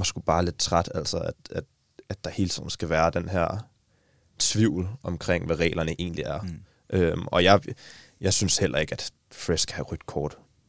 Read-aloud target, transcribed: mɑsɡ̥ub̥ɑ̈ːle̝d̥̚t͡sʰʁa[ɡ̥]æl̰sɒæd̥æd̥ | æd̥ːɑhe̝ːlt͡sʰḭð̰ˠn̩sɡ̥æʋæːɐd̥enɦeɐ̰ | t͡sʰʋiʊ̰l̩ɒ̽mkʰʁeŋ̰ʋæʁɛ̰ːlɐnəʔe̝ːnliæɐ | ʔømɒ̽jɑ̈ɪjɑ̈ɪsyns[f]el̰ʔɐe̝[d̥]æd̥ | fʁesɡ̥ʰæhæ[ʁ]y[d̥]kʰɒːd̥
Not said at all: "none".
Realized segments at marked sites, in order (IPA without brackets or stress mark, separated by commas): d̥, h, ɡ̥, ʁ, d̥